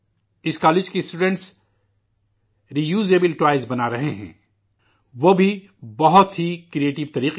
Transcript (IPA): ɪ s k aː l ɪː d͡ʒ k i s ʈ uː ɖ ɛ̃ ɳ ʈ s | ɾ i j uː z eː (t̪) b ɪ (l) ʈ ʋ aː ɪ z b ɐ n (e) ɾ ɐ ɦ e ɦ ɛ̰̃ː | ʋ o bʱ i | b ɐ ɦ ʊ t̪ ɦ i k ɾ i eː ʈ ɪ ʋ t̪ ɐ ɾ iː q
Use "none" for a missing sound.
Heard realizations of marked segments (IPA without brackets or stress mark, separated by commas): none, l, a